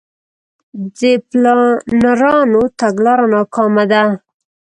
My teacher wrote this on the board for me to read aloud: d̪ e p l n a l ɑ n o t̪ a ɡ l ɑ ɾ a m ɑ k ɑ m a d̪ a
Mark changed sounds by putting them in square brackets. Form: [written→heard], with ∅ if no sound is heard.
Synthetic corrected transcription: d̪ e p l n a [l→ɾ] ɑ n o t̪ a ɡ l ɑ ɾ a [m→n] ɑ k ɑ m a d̪ a